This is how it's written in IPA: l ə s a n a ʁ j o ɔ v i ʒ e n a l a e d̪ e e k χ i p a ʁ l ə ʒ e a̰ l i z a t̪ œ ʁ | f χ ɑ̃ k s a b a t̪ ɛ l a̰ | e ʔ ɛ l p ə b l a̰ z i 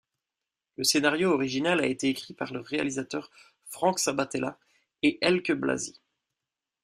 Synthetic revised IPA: l ə s e n a ʁ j o ɔ ʁ i ʒ i n a l a e t̪ e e k χ i p a ʁ l ə ʁ e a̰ l i z a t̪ œ ʁ | f χ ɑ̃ k s a b a t̪ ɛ l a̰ | e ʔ ɛ l k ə b l a̰ z i